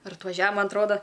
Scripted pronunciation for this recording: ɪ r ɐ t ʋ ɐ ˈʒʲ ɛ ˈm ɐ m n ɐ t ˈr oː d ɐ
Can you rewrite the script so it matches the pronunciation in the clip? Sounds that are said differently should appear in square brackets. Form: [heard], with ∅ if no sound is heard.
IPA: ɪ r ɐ t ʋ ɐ ˈʒʲ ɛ ˈm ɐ [∅] n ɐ t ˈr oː d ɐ

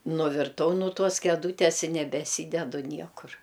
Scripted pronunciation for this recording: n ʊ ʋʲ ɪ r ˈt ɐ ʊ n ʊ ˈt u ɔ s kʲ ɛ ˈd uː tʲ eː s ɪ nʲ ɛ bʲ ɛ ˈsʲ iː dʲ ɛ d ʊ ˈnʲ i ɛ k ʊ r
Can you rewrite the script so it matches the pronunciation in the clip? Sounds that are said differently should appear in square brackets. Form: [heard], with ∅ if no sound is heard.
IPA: n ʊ ʋʲ ɪ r ˈt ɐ ʊ n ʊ ˈt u ɔ s kʲ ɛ ˈd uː tʲ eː s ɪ nʲ ɛ bʲ ɛ ˈsʲ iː dʲ ɛ d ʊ ˈnʲ i ɛ k ʊ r

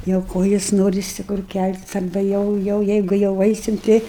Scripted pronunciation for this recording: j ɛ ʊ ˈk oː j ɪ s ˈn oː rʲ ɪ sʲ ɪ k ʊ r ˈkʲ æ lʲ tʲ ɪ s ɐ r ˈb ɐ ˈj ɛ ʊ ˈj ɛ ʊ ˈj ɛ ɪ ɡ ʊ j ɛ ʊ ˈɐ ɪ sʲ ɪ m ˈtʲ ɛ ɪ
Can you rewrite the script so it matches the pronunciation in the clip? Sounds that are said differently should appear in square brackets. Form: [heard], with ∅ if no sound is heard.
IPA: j ɛ ʊ ˈk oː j ɪ s ˈn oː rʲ ɪ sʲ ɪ k ʊ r ˈkʲ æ lʲ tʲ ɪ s ɐ r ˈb ɐ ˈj ɛ ʊ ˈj ɛ ʊ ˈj ɛ ɪ ɡ ʊ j ɛ ʊ ˈɐ ɪ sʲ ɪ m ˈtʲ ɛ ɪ

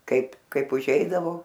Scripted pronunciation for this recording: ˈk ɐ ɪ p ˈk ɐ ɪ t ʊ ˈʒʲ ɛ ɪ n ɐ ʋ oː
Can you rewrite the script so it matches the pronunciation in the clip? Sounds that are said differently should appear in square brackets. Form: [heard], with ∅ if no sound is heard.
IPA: ˈk ɐ ɪ p ˈk ɐ ɪ [p] ʊ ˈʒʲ ɛ ɪ [d] ɐ ʋ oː

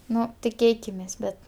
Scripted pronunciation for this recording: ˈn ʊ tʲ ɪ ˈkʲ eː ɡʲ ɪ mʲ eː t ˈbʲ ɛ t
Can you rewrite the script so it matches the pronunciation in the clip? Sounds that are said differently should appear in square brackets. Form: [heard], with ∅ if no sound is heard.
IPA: ˈn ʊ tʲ ɪ ˈkʲ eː [kʲ] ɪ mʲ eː [s] ˈbʲ ɛ t

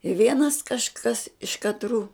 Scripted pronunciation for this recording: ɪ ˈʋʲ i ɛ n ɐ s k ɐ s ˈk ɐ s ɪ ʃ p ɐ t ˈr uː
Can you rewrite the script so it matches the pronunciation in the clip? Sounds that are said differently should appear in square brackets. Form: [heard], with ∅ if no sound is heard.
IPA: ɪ ˈʋʲ i ɛ n ɐ s k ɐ [ʃ] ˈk ɐ s ɪ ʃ [k] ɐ t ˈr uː

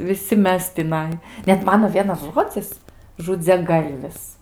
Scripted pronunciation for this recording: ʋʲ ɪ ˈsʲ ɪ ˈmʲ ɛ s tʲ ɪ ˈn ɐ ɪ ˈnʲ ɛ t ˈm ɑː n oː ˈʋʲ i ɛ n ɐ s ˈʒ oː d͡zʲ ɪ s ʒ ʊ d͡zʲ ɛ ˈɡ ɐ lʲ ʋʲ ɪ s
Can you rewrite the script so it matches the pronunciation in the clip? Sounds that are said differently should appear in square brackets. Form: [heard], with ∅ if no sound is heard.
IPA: ʋʲ ɪ ˈsʲ ɪ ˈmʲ ɛ s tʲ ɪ ˈn ɐ ɪ ˈnʲ ɛ t ˈm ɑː n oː ˈʋʲ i ɛ n ɐ s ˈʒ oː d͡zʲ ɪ s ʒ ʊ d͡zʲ ɛ ˈɡ ɐ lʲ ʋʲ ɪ s

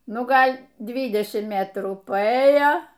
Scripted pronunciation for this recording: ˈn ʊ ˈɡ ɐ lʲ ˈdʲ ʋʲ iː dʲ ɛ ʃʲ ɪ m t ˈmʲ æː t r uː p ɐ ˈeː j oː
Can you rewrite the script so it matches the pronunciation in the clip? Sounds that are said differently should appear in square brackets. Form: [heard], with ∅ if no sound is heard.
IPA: ˈn ʊ ˈɡ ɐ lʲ ˈdʲ ʋʲ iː dʲ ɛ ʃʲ ɪ m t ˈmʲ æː t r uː p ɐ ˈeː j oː

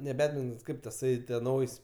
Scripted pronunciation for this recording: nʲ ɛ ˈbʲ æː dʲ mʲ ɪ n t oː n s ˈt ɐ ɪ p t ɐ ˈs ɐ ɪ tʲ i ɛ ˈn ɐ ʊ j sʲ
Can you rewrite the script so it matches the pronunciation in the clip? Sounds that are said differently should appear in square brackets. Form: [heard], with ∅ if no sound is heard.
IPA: nʲ ɛ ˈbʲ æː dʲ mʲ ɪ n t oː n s [ˈk] ɐ ɪ p t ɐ ˈs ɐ ɪ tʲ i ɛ ˈn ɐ ʊ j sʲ

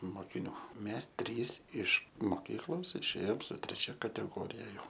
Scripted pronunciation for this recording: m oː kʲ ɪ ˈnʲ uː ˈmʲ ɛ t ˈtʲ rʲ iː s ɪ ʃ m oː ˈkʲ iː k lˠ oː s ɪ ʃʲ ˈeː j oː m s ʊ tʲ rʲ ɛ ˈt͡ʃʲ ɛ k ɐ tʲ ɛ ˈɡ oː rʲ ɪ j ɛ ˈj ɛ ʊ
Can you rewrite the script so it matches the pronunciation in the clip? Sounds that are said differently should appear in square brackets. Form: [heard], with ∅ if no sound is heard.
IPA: m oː kʲ ɪ ˈnʲ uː ˈmʲ ɛ [s] ˈtʲ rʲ iː s ɪ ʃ m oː ˈkʲ iː k lˠ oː s ɪ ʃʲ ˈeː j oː m s ʊ tʲ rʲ ɛ ˈt͡ʃʲ ɛ k ɐ tʲ ɛ ˈɡ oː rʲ ɪ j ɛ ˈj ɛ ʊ

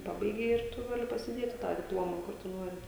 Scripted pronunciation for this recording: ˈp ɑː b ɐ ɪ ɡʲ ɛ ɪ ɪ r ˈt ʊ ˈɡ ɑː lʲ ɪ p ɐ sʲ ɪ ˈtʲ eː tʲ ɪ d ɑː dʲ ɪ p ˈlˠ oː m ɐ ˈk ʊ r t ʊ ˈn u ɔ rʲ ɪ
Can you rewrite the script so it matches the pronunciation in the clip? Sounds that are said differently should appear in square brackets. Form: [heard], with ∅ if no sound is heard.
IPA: ˈp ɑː b ɐ ɪ ɡʲ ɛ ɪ ɪ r ˈt ʊ ˈɡ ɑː lʲ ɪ p ɐ sʲ ɪ [ˈdʲ] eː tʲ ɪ [t] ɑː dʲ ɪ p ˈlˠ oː m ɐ ˈk ʊ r t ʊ ˈn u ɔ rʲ ɪ

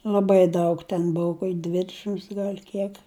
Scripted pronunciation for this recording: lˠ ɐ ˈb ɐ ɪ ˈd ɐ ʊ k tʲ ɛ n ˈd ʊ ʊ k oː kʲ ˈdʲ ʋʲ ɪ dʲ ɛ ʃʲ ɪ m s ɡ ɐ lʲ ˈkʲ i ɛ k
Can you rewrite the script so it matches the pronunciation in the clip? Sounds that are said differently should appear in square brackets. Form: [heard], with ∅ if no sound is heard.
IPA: lˠ ɐ ˈb ɐ ɪ ˈd ɐ ʊ k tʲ ɛ n [ˈb] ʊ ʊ k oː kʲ ˈdʲ ʋʲ ɪ dʲ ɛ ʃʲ ɪ m s ɡ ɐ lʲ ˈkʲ i ɛ k

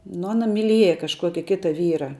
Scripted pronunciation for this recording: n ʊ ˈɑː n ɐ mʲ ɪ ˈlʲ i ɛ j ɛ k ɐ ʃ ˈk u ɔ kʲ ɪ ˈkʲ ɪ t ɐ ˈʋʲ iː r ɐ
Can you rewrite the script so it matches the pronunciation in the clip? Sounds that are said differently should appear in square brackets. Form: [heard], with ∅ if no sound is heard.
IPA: n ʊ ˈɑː n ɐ mʲ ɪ ˈlʲ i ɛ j ɛ k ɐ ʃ ˈk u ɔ kʲ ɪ ˈkʲ ɪ t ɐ ˈʋʲ iː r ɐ

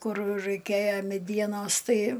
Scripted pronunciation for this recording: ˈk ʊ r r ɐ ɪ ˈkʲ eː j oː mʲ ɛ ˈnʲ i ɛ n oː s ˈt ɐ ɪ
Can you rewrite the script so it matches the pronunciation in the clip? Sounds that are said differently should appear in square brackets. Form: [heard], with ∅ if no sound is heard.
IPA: ˈk ʊ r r ɐ ɪ ˈkʲ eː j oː mʲ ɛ [ˈdʲ] i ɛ n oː s ˈt ɐ ɪ

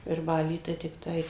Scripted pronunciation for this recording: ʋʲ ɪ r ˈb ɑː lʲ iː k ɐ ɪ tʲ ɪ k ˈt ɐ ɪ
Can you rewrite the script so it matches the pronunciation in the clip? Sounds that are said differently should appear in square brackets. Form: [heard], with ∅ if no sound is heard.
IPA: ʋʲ ɪ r ˈb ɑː lʲ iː [t] ɐ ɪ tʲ ɪ k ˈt ɐ ɪ

